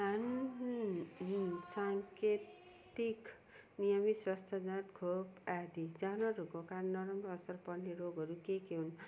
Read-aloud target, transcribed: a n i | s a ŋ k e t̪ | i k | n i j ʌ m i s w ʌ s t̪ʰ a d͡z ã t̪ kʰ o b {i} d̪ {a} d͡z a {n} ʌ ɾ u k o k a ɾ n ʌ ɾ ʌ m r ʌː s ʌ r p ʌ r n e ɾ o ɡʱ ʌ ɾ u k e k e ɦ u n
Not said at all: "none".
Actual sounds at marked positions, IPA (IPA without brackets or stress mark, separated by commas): a, i, n